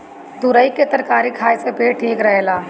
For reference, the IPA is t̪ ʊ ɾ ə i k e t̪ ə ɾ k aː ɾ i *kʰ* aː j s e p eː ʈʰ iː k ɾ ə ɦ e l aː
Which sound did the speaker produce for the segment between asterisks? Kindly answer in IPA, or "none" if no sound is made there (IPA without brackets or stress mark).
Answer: kʰ